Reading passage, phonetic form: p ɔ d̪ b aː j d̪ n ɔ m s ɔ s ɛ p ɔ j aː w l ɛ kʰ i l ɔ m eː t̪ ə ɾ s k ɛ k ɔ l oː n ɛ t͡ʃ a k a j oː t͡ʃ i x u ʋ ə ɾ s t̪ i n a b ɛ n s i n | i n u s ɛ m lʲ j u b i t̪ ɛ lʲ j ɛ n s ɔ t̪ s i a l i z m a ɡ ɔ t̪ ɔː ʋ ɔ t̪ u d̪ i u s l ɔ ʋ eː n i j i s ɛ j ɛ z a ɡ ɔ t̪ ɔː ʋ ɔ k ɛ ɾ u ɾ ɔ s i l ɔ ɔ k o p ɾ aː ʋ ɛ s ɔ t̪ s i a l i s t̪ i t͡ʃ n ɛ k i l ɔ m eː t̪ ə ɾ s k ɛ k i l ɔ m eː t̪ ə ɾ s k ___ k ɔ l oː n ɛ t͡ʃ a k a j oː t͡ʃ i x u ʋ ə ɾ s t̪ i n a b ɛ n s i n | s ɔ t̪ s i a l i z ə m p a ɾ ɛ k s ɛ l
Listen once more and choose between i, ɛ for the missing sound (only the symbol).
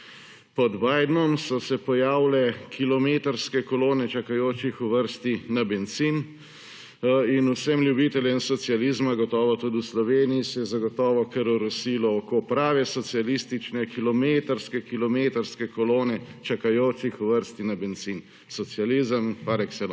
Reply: ɛ